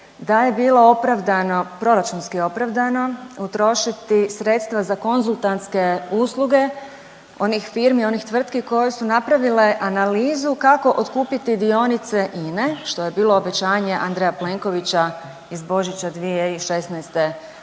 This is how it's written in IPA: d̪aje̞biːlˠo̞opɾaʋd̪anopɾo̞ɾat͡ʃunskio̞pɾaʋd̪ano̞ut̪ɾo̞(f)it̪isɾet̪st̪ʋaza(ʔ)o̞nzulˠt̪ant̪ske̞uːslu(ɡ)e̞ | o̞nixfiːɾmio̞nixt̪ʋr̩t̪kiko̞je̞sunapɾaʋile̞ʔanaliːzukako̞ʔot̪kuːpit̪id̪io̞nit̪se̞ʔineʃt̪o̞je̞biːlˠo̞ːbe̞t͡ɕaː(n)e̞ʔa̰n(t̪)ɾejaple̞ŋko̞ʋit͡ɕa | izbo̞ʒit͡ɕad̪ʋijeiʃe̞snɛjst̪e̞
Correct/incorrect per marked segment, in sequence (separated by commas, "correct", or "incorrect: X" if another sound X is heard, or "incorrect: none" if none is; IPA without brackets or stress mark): incorrect: ʃ, incorrect: k, correct, incorrect: ɲ, incorrect: d̪